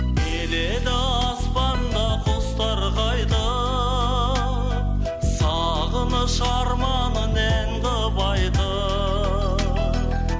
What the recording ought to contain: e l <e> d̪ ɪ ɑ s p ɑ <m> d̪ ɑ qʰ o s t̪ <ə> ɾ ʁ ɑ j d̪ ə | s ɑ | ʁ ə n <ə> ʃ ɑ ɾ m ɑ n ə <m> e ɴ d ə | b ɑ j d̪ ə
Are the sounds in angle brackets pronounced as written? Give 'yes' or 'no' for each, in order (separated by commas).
yes, no, no, yes, no